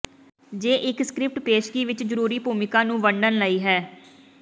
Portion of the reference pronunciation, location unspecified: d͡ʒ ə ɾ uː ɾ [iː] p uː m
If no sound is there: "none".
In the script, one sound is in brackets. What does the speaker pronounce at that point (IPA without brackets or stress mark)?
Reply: iː